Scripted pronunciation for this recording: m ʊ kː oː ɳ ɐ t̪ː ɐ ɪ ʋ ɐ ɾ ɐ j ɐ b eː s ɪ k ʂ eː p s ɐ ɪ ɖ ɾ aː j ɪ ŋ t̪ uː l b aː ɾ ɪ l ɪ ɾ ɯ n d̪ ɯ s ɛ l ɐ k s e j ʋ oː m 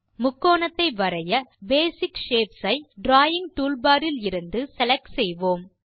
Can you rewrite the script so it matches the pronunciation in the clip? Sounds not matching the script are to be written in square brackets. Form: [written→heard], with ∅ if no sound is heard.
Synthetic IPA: m ʊ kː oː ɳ ɐ t̪ː ɐ ɪ ʋ ɐ ɾ ɐ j ɐ b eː s ɪ k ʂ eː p s ɐ ɪ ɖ ɾ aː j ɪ ŋ t̪ uː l b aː ɾ ɪ l ɪ ɾ ɯ n d̪ ɯ s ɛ l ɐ k s [e→ɛ] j ʋ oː m